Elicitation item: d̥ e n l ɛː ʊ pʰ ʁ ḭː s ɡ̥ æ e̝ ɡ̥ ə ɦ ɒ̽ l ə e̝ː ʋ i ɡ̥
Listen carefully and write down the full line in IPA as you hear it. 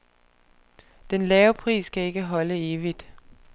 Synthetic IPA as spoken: d̥ e n l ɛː ʊ pʰ ʁ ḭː s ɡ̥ æ e̝ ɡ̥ ə ɦ ɒ̽ l ə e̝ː ʋ i d̥